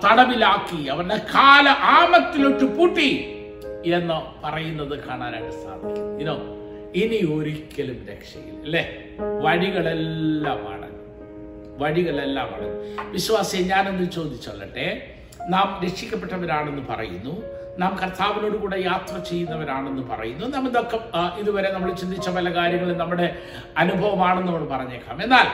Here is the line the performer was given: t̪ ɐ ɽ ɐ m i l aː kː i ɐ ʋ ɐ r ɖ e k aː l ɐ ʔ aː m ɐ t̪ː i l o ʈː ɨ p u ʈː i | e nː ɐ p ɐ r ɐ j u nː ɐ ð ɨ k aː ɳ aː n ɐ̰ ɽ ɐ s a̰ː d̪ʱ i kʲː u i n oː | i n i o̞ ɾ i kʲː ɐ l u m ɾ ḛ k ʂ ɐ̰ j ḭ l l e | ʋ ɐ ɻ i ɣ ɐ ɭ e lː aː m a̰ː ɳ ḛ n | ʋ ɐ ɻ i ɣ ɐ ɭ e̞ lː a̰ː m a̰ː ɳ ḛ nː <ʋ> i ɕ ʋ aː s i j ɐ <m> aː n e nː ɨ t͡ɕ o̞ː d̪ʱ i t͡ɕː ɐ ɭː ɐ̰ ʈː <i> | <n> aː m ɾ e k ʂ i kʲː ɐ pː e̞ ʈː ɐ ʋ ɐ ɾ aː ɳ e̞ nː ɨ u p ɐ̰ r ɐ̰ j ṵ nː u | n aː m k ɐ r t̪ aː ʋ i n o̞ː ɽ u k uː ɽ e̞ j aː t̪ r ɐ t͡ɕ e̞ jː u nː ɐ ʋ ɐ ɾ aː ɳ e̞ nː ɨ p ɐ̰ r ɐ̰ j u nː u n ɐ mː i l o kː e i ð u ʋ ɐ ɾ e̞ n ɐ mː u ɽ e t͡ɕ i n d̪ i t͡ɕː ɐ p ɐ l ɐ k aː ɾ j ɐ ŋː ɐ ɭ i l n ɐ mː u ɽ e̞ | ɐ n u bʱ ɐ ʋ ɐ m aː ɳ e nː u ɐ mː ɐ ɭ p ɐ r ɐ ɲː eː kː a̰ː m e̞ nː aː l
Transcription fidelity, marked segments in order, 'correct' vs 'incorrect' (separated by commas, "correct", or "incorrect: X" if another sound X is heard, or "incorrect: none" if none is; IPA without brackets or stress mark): correct, incorrect: ɲ, incorrect: e, correct